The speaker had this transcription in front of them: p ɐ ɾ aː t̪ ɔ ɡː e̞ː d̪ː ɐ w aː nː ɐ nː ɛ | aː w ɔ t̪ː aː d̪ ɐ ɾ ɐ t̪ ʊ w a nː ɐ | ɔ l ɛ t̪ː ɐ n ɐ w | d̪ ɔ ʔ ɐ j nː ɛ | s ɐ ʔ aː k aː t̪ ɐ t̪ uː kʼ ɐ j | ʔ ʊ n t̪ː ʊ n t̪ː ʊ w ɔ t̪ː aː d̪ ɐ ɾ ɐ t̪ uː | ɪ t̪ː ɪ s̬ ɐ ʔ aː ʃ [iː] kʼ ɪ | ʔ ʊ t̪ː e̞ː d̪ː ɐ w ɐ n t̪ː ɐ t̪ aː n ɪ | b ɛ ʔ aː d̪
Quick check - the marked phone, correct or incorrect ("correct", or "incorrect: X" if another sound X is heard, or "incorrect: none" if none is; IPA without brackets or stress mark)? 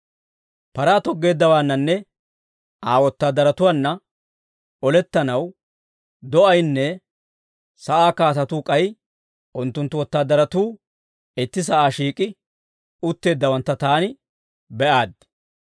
correct